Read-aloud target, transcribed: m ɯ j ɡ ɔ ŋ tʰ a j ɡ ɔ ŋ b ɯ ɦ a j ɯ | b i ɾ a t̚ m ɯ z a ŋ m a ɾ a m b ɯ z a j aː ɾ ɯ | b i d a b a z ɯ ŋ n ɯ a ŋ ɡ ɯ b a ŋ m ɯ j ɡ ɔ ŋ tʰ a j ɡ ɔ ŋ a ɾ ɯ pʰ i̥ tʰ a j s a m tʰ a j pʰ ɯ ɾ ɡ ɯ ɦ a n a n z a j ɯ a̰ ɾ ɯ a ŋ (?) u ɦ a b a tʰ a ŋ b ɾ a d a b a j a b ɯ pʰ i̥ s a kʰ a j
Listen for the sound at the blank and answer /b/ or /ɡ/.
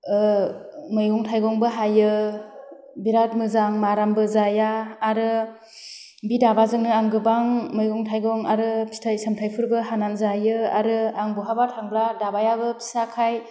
b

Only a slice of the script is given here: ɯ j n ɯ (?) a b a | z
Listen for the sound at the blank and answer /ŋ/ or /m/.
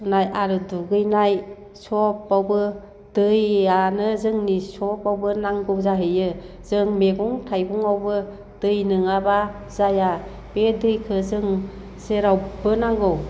ŋ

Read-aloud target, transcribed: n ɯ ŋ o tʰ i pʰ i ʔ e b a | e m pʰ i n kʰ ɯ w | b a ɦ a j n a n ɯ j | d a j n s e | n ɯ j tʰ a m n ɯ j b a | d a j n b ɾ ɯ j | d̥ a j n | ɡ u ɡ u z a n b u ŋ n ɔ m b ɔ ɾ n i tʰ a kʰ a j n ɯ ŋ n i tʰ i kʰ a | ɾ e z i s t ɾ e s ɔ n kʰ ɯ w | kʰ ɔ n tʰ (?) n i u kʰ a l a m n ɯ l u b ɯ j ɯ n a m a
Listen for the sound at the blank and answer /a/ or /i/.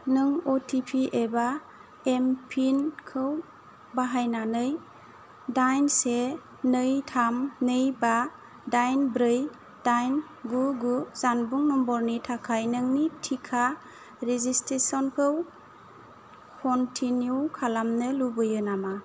i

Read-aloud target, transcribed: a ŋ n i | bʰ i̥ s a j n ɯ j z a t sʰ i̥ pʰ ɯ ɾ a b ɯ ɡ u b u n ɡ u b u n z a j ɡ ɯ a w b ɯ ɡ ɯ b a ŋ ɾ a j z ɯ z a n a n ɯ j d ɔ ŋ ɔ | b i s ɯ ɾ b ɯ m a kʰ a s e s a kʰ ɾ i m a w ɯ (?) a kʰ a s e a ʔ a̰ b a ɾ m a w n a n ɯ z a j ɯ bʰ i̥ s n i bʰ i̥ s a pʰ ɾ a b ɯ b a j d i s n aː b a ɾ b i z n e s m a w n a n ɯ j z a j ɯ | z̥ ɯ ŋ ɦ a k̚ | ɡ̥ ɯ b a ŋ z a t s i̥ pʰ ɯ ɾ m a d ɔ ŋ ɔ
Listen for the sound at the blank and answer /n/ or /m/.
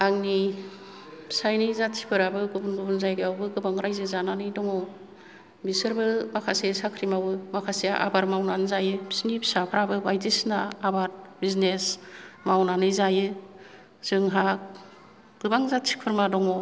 m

